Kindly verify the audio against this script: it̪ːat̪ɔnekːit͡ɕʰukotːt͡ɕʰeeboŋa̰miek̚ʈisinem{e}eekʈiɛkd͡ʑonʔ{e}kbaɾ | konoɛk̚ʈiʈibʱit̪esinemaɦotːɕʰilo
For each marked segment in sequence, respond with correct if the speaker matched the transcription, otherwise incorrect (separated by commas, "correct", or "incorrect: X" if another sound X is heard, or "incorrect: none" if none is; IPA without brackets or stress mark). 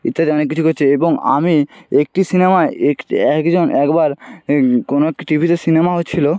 incorrect: a, incorrect: ɛ